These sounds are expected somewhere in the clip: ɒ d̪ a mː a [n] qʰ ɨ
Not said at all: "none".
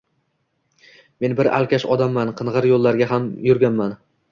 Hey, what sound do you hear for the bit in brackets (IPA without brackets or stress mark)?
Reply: n